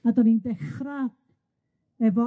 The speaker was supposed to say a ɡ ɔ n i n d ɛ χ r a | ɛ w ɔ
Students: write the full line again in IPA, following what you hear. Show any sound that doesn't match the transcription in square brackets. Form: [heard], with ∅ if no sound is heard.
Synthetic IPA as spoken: a [d] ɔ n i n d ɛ χ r a | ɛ [v] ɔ